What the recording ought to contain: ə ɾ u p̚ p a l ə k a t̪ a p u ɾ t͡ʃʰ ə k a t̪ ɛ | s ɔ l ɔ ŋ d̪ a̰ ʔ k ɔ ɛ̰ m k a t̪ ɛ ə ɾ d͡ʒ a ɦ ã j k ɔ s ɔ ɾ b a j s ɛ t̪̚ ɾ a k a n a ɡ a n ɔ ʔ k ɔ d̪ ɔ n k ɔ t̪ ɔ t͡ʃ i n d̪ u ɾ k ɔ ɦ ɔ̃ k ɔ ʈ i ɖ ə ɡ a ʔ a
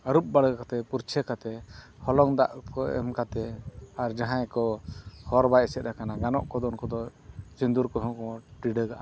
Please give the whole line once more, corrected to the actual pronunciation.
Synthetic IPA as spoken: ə ɾ u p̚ b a ɽ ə k a t̪ ɛ p u ɾ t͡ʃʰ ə k a t̪ ɛ | h ɔ l ɔ ŋ d̪ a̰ ʔ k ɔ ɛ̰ m k a t̪ ɛ a ɾ d͡ʒ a ɦ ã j k ɔ h ɔ ɾ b a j s ɛ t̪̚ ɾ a k a n a ɡ a n ɔ ʔ k ɔ d̪ ɔ n k ɔ d̪ ɔ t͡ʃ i n d̪ u ɾ k ɔ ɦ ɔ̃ k ɔ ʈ i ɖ ə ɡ a ʔ a